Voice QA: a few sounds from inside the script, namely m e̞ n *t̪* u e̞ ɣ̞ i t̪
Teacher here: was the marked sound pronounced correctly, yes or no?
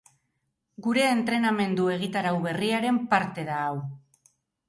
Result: no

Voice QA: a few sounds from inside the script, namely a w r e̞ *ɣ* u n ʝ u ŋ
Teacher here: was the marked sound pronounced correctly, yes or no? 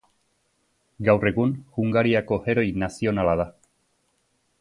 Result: yes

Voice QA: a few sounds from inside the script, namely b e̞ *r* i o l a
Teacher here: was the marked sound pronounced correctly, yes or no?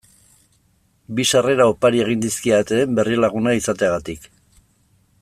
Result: yes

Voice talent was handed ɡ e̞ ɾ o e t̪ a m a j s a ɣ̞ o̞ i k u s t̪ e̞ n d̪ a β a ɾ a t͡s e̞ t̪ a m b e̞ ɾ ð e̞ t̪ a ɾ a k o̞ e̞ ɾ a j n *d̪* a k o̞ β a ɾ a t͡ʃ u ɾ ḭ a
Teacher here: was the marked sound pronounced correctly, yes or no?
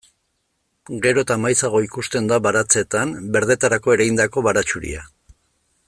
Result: yes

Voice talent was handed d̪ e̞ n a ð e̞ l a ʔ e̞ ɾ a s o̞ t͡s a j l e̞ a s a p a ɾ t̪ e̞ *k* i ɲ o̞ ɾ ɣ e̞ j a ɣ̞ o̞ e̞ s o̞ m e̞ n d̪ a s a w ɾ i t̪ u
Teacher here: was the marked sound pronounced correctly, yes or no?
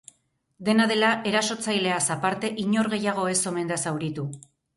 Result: no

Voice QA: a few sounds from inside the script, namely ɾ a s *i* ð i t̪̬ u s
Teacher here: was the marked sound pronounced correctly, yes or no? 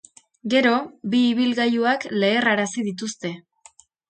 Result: yes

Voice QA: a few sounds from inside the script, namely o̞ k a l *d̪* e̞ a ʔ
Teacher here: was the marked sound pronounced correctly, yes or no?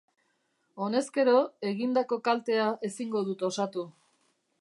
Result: no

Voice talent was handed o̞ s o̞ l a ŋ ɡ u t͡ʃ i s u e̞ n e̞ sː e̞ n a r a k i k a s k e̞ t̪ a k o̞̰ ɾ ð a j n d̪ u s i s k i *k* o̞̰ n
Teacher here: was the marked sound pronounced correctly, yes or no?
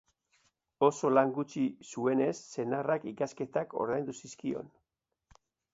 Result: no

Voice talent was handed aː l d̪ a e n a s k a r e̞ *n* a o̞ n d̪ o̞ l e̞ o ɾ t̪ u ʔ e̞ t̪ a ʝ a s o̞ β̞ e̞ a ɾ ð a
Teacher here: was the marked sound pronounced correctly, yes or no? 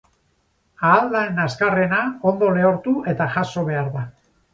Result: yes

